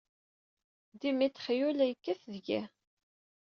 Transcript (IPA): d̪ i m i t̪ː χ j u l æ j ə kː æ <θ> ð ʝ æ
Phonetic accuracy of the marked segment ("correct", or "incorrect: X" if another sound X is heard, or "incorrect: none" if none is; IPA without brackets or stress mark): correct